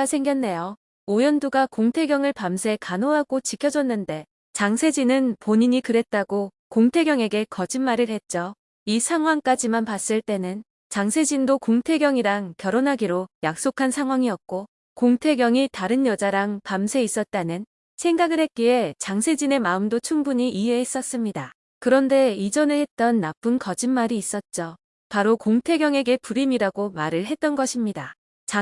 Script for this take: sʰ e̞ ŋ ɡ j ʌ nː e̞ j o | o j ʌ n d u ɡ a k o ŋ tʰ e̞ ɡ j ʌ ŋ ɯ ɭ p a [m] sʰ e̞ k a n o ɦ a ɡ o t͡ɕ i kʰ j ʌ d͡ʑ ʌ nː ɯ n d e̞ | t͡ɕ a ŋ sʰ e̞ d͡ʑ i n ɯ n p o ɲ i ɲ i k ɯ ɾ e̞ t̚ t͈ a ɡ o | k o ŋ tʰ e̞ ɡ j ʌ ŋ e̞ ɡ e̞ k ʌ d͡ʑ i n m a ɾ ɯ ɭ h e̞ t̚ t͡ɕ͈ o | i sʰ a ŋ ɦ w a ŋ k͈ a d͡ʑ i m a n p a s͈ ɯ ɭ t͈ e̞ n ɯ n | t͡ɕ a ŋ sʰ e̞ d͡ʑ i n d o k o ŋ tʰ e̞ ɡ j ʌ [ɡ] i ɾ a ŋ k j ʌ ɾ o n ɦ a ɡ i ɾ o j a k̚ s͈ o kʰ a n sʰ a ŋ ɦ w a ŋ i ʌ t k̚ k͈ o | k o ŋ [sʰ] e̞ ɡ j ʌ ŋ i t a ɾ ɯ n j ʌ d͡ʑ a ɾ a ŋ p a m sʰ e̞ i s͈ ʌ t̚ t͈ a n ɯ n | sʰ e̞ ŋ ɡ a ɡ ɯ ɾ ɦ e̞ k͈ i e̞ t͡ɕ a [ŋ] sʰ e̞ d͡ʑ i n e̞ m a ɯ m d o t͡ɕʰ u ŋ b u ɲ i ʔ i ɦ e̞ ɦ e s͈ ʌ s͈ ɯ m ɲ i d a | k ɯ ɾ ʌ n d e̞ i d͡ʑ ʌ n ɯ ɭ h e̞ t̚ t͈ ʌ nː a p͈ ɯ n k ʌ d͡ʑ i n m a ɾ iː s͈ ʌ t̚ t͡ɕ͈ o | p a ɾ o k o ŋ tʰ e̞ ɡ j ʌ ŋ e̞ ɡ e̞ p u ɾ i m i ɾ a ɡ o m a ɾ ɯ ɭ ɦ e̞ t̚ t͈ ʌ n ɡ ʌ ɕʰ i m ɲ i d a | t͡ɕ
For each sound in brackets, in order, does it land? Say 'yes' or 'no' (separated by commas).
yes, no, no, yes